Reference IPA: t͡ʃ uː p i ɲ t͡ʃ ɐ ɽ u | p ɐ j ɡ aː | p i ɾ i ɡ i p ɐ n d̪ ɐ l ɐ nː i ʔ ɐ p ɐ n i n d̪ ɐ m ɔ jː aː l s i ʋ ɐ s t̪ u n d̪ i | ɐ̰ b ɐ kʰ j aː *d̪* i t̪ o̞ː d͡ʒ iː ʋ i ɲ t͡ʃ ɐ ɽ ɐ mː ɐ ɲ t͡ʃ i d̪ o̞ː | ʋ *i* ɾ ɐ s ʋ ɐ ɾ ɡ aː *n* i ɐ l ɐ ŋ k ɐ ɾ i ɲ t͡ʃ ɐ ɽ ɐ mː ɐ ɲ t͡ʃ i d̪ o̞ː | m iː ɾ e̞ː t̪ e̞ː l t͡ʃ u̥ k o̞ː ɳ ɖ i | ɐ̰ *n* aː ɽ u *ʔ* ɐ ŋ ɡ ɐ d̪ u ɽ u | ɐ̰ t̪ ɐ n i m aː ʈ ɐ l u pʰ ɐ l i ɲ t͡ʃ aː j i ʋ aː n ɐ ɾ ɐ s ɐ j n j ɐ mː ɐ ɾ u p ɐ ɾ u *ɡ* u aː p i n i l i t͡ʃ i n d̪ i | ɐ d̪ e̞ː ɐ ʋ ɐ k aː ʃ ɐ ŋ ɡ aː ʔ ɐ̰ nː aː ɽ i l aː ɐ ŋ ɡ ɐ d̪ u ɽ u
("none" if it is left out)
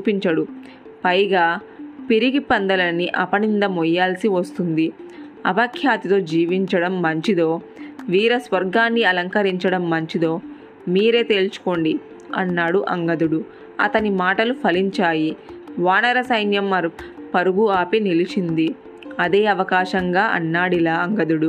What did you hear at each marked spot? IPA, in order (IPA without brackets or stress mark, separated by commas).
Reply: t̪, iː, nː, nː, ʔ, ɡ